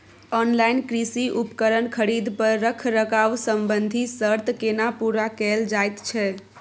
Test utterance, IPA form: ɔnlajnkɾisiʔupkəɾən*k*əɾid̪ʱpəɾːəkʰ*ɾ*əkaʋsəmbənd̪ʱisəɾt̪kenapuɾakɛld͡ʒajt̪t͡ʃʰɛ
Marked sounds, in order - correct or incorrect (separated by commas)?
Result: incorrect, correct